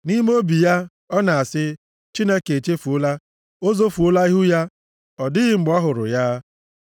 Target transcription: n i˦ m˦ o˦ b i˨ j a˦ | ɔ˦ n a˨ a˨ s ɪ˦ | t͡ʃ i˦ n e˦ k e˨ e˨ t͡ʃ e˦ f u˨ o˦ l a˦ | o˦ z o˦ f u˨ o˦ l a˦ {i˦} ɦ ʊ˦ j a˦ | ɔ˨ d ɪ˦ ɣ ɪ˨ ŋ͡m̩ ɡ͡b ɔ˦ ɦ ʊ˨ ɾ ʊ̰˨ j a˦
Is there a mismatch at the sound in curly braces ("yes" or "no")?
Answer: no